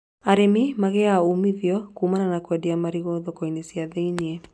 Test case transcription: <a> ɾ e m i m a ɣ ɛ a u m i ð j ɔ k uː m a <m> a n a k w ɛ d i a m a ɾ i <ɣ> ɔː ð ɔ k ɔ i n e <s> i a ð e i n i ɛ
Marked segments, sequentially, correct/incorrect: correct, incorrect, correct, correct

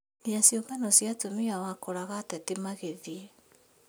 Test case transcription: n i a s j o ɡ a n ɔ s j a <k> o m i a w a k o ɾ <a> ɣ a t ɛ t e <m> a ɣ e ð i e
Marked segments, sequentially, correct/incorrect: incorrect, correct, correct

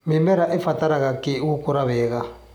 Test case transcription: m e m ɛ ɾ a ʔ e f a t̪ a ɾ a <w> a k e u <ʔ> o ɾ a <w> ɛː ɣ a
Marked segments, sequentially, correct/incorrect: incorrect, incorrect, incorrect

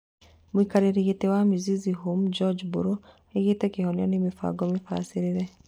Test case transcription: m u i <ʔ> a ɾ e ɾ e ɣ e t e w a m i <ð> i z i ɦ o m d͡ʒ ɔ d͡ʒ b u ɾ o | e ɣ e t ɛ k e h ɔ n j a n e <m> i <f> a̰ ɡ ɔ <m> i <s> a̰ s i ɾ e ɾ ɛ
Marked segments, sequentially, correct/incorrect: incorrect, incorrect, correct, correct, correct, incorrect

